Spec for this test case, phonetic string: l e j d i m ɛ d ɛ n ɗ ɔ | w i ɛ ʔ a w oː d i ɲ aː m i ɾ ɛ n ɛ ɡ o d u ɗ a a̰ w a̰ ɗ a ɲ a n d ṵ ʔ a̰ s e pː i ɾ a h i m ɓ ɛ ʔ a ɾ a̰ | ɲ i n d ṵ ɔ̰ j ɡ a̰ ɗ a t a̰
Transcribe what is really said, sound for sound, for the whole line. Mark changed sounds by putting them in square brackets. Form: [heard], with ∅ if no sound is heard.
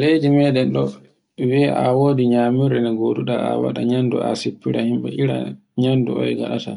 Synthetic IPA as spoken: l e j d i m ɛ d ɛ n ɗ ɔ | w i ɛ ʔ a w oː d i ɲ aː m i ɾ ɛ n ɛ ɡ o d u ɗ a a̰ w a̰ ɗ a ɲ a n d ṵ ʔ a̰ s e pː i ɾ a h i m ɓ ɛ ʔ [i] ɾ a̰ | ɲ [a] n d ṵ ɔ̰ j ɡ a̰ ɗ a t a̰

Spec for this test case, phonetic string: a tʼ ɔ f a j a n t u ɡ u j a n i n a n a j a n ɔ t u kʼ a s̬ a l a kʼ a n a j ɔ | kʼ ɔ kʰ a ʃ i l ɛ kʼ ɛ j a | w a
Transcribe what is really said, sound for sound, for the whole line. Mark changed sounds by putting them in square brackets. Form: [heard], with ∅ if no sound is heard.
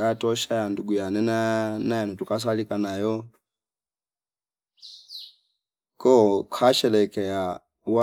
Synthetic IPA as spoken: a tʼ ɔ [ʃ] a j a n [d] u ɡ u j a n [ɛ] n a n a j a n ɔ t u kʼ a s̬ a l [i] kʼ a n a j ɔ | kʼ ɔ kʰ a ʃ [ɛ] l ɛ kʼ ɛ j a | w a

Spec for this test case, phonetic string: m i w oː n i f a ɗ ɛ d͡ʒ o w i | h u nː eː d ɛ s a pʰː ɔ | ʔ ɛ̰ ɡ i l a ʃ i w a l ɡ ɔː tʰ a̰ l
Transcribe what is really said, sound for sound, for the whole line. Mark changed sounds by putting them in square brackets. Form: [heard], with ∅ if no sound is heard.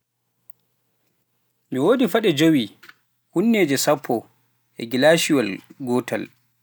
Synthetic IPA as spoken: m i w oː [d] i f a ɗ ɛ d͡ʒ o w i | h u nː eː [d͡ʒ] ɛ s a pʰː ɔ | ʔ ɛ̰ ɡ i l a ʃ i w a l ɡ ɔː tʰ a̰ l

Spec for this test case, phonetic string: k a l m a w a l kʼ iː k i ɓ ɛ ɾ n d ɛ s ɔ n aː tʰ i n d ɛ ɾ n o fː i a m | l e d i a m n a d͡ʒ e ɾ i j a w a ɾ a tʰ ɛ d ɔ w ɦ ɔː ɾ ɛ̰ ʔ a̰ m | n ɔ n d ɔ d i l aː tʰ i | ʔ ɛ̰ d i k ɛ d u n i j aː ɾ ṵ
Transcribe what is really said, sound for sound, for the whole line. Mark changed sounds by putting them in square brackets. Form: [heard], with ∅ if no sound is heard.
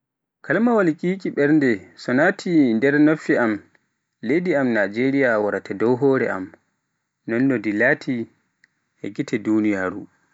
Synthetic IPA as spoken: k a l m a w a l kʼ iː k i ɓ ɛ ɾ n d ɛ s ɔ n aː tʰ i n d ɛ ɾ n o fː i a m | l e d i a m n a d͡ʒ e ɾ i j a w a ɾ a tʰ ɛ d ɔ w ɦ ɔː ɾ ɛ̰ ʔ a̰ m | n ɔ n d ɔ d i l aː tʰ i | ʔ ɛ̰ [ɡ] i [t] ɛ d u n i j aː ɾ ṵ

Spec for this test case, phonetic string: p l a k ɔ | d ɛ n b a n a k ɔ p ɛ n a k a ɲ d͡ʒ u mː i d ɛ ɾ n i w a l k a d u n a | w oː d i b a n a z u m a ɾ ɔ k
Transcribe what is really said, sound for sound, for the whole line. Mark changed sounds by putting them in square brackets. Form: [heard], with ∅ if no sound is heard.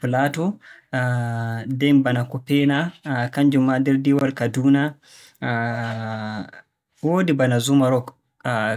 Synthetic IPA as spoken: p l a [t] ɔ | d ɛ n b a n a k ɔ p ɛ n a k a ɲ d͡ʒ u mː [a] d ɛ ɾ [d] i w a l k a d u n a | w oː d i b a n a z u m a ɾ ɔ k

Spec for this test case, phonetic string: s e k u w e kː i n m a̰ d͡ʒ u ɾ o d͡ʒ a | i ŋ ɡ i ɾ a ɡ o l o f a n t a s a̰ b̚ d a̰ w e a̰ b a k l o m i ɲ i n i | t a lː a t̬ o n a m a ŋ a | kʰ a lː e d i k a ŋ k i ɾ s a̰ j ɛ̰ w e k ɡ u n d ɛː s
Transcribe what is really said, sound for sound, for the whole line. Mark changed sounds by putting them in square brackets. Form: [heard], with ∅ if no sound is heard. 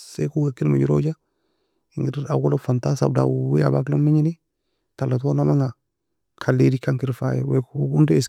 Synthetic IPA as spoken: s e k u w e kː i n m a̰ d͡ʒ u ɾ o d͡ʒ a | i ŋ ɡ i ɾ a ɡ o l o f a n t a s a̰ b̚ d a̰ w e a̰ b a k l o m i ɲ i n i | t a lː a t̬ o n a m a ŋ a | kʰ a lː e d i k a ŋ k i ɾ [f] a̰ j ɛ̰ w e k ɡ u n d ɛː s

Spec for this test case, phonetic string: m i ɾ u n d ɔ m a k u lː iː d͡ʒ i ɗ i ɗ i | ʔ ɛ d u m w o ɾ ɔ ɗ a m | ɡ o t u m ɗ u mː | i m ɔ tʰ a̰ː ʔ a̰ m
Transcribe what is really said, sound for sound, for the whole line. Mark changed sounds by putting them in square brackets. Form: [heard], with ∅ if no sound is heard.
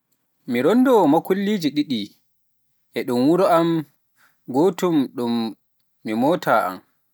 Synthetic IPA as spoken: m i ɾ [ɔ] n d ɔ m a k u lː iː d͡ʒ i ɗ i ɗ i | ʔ ɛ [ɗ] u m w [u] ɾ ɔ [∅] a m | ɡ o t u m ɗ u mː | i m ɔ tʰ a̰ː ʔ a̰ m

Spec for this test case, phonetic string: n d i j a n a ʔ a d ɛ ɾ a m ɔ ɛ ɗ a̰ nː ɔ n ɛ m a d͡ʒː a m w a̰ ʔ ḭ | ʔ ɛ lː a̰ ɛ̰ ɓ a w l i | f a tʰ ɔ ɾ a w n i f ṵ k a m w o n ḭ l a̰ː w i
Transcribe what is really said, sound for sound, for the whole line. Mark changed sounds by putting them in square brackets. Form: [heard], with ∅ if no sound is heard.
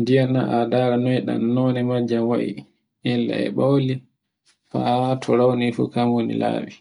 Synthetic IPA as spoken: n d i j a n a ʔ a d [a] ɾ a [n] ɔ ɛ ɗ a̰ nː ɔ n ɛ m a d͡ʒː a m w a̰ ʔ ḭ | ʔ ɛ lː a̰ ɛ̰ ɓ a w l i | f a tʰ ɔ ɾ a w n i f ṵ k a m w o n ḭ l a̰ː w i

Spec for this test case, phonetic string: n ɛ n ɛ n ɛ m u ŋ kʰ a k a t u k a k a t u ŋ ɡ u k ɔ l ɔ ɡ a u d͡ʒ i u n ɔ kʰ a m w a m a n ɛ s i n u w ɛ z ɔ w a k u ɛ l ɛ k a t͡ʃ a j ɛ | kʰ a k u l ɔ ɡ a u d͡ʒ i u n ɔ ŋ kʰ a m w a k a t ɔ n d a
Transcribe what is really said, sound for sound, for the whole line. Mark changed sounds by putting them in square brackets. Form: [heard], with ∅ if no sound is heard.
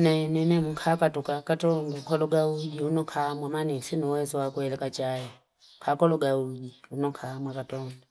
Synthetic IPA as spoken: n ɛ n ɛ n ɛ m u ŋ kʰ a k a t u k a k a t [ɔ] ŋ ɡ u k ɔ l ɔ ɡ a u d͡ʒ i u n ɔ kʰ a m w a m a n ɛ s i n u w ɛ z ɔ w a k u ɛ l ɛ k a t͡ʃ a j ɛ | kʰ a k [ɔ] l ɔ ɡ a u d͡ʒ i u n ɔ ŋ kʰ a m w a k a t ɔ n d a

